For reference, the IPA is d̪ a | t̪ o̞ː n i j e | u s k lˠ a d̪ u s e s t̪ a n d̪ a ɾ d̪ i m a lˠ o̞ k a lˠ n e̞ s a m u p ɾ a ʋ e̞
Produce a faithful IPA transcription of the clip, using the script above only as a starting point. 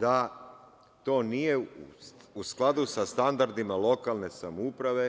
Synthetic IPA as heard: d̪ a | t̪ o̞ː n i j e | u s k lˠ a d̪ u s a s t̪ a n d̪ a ɾ d̪ i m a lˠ o̞ k a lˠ n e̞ s a m u p ɾ a ʋ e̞